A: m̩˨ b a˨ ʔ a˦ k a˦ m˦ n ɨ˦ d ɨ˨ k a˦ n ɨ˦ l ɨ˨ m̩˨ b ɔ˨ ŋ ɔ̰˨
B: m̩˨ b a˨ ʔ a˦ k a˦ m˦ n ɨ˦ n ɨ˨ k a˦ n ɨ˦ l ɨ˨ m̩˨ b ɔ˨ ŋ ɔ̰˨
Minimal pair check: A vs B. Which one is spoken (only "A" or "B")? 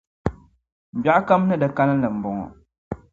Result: A